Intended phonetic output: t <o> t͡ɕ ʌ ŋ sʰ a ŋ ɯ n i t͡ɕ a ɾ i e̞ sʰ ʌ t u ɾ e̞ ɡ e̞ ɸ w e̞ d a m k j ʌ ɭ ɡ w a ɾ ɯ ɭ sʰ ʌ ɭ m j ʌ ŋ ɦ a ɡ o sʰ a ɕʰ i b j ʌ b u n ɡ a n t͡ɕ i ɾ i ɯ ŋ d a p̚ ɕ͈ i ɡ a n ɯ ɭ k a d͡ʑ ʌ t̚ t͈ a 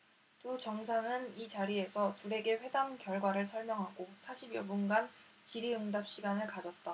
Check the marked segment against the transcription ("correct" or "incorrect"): incorrect